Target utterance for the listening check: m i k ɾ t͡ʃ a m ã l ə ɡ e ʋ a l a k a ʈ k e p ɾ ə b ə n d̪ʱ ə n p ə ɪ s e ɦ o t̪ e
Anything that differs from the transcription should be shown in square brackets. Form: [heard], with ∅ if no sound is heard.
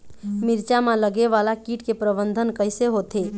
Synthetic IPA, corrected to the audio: m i [∅] ɾ t͡ʃ a m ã l ə ɡ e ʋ a l a k [i] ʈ k e p ɾ ə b ə n d̪ʱ ə n [k] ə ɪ s e ɦ o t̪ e